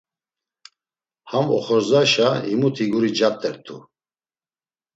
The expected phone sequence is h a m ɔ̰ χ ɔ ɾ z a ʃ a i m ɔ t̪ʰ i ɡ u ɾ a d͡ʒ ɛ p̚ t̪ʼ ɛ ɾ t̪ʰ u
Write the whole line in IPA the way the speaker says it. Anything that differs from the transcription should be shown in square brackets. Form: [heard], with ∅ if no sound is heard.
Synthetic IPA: h a m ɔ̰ χ ɔ ɾ z a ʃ a i m [u] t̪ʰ i ɡ u ɾ [i] d͡ʒ [a] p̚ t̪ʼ ɛ ɾ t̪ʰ u